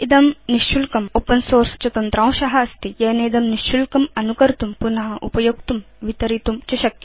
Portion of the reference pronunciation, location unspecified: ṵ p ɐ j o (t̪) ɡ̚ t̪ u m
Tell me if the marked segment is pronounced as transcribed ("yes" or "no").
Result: no